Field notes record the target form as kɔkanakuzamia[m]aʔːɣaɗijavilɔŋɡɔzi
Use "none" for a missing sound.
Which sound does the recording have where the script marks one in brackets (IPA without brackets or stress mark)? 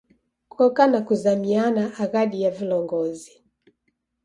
n